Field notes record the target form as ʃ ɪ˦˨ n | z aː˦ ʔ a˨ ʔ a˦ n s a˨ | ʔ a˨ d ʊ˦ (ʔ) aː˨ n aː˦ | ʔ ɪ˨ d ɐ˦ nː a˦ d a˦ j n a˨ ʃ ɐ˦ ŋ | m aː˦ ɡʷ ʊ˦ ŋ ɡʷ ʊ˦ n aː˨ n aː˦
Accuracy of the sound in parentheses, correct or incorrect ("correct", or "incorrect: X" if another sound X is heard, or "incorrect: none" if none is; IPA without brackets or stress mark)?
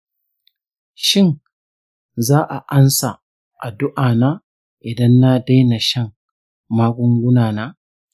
correct